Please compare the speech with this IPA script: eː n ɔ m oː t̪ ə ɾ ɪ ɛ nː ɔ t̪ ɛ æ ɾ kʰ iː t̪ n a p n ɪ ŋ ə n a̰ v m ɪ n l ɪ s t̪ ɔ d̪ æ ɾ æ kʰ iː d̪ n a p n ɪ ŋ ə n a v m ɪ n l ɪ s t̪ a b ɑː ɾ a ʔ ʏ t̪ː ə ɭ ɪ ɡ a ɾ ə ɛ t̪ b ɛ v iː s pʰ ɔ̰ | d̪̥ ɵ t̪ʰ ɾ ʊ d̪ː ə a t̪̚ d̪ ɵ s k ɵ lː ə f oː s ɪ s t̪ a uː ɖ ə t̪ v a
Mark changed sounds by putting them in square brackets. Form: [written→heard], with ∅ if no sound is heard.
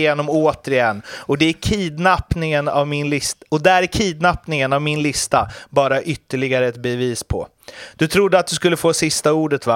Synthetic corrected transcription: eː n ɔ m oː t̪ ə ɾ ɪ ɛ nː ɔ [t̪→d̪] ɛ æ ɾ kʰ iː [t̪→d̪] n a p n ɪ ŋ ə n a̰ v m ɪ n l ɪ s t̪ ɔ d̪ æ ɾ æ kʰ iː d̪ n a p n ɪ ŋ ə n a v m ɪ n l ɪ s t̪ a b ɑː ɾ a ʔ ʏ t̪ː ə ɭ ɪ ɡ a ɾ ə ɛ t̪ b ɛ v iː s pʰ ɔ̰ | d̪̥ ɵ t̪ʰ ɾ ʊ d̪ː ə a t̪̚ d̪ ɵ s k ɵ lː ə f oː s ɪ s t̪ a uː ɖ ə t̪ v a